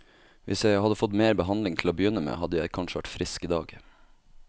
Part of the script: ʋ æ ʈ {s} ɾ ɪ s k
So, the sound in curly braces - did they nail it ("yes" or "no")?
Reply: no